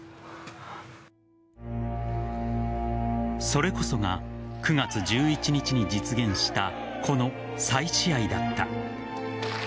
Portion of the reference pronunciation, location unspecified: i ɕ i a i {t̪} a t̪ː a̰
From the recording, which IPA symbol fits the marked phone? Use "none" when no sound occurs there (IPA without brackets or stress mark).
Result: d̪